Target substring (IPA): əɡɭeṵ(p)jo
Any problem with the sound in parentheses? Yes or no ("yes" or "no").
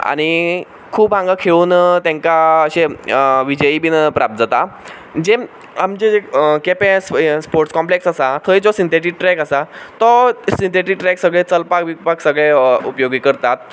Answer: no